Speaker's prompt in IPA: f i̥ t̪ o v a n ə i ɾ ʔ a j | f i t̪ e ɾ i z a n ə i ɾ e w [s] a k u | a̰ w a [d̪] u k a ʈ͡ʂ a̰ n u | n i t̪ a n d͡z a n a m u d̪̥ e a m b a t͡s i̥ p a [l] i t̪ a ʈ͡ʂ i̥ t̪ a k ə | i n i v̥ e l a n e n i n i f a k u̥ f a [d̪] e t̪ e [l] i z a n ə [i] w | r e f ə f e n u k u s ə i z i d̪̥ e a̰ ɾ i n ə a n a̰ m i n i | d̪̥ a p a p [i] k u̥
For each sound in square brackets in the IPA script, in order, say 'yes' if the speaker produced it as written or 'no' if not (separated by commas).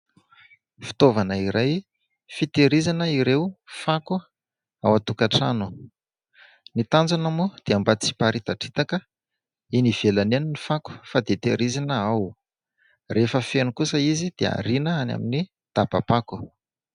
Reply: no, no, no, yes, no, no, no